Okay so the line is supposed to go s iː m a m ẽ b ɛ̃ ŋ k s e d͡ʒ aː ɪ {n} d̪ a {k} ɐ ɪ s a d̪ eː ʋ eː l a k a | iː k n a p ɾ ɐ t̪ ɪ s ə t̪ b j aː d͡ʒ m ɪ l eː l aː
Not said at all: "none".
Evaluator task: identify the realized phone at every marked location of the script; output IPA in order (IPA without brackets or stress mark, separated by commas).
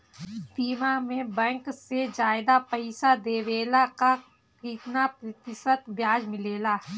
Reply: none, p